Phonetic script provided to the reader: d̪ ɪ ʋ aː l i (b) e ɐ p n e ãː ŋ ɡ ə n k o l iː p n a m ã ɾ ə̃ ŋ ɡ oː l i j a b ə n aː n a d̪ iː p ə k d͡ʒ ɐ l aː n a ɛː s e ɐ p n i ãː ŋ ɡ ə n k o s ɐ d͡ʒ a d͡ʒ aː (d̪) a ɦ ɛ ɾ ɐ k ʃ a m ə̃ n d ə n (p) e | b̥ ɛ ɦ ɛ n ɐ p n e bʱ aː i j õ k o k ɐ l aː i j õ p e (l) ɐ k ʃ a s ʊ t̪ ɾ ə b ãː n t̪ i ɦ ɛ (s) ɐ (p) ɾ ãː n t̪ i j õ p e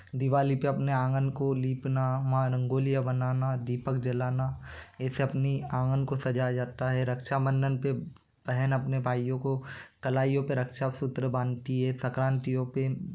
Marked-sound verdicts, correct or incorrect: incorrect: p, incorrect: t̪, correct, incorrect: ɾ, correct, incorrect: k

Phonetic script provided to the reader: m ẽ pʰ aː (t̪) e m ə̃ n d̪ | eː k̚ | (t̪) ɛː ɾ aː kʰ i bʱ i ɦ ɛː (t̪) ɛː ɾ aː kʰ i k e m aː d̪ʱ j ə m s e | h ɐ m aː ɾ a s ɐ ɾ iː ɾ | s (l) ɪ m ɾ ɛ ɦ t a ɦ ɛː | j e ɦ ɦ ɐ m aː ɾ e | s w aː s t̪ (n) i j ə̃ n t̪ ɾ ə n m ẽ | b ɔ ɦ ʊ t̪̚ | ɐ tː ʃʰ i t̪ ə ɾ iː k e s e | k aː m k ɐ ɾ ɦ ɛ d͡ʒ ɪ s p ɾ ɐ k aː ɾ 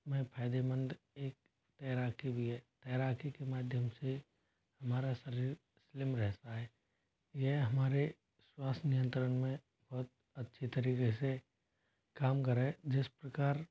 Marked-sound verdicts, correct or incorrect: incorrect: d̪, correct, correct, correct, correct

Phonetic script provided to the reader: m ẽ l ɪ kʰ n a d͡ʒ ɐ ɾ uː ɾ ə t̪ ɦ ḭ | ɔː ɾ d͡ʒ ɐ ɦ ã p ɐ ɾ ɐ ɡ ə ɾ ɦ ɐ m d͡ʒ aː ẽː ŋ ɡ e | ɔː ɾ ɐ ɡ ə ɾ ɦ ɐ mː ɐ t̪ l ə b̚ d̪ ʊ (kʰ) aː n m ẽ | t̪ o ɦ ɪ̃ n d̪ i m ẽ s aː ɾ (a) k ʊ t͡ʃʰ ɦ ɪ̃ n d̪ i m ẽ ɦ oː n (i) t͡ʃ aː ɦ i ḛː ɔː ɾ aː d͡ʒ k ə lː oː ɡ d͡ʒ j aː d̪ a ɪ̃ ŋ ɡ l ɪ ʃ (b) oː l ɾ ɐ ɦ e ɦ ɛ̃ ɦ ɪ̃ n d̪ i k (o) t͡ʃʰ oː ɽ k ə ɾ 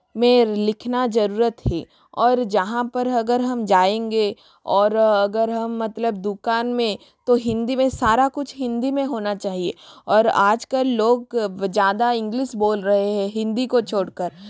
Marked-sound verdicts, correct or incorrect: incorrect: k, correct, incorrect: a, correct, correct

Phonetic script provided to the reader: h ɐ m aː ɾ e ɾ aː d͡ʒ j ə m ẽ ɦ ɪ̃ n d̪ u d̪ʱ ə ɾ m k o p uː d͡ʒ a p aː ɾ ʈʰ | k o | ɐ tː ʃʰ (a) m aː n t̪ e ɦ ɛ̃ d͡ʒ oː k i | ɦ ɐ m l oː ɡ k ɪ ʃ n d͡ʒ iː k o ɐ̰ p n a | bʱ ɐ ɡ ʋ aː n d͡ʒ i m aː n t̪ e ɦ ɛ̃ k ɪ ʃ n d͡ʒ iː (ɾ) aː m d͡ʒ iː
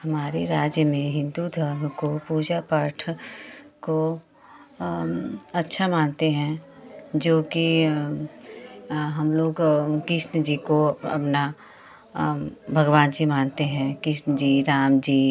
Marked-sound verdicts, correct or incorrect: correct, correct

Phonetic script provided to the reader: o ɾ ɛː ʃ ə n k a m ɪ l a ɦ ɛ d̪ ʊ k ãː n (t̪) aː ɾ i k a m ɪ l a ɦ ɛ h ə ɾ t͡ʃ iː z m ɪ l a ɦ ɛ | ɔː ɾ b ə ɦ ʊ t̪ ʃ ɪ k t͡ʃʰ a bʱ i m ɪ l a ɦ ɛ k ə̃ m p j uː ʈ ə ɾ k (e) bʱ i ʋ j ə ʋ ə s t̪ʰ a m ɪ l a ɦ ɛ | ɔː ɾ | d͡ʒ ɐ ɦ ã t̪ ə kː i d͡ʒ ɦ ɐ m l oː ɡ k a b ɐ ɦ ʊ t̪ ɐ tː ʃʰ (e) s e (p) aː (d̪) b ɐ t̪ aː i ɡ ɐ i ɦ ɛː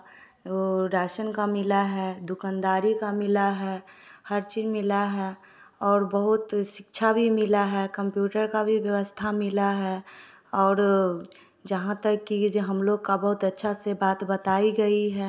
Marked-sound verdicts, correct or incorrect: incorrect: d̪, incorrect: a, incorrect: a, incorrect: b, incorrect: t̪

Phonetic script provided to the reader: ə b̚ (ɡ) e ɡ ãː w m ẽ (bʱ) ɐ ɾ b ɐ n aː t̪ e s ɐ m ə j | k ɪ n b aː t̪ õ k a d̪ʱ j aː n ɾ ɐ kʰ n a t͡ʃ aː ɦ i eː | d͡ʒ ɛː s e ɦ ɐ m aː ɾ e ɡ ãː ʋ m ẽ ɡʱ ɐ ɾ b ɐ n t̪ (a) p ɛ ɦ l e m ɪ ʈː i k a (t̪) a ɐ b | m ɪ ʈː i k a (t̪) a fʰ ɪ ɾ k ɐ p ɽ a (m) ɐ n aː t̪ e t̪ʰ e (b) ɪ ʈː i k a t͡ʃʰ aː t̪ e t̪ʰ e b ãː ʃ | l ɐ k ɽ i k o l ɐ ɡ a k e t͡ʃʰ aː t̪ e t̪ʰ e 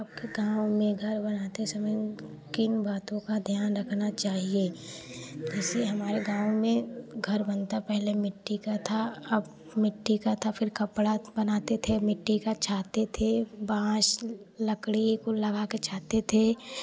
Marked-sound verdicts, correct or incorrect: incorrect: k, incorrect: ɡʱ, correct, incorrect: t̪ʰ, incorrect: t̪ʰ, incorrect: b, incorrect: m

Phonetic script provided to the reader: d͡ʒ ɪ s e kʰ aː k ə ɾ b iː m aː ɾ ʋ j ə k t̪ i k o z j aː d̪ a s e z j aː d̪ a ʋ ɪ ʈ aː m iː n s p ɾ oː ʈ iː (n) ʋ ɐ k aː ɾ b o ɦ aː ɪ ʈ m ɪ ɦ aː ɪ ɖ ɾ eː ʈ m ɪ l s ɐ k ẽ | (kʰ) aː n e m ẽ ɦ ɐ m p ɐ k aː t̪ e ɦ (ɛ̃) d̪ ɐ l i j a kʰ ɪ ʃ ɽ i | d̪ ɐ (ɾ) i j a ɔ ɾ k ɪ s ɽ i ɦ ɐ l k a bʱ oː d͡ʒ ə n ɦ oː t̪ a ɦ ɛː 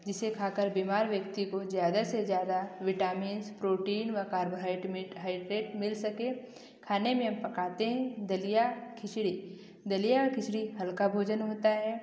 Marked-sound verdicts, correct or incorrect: correct, correct, correct, incorrect: l

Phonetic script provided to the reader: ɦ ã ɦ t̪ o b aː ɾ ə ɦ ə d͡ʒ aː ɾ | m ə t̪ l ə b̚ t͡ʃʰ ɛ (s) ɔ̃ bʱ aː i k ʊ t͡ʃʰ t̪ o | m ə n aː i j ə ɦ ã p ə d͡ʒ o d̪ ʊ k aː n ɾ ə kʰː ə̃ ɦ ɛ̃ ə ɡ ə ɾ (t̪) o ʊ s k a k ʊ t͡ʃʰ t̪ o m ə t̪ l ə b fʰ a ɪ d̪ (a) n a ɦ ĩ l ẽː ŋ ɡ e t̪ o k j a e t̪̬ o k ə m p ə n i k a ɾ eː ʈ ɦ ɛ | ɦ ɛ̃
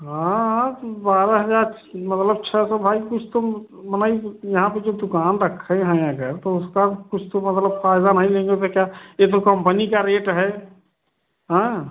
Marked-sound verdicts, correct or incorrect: correct, correct, correct

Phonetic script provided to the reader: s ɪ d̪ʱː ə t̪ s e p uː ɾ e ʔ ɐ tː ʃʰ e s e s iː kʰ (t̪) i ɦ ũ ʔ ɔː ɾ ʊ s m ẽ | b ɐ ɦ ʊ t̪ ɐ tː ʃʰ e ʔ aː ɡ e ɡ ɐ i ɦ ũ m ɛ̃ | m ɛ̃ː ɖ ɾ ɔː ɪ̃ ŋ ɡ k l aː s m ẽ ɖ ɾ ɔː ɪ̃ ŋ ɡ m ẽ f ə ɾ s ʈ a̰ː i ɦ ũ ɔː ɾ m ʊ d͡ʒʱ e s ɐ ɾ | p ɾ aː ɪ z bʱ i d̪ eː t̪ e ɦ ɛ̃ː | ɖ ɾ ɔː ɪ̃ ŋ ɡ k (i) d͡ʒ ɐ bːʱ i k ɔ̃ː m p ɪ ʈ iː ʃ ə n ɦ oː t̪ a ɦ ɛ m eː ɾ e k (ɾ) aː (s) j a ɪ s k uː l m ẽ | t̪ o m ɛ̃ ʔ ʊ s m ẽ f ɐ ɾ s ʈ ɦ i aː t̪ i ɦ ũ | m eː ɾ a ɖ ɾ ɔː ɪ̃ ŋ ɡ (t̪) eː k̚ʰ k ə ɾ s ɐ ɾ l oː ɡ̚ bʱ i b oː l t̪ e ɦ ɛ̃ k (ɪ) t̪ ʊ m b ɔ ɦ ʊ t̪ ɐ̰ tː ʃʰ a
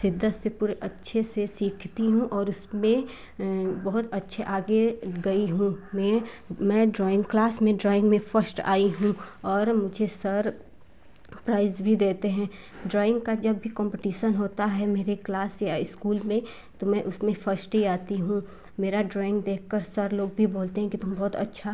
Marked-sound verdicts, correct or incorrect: correct, incorrect: a, incorrect: l, correct, incorrect: d̪, incorrect: i

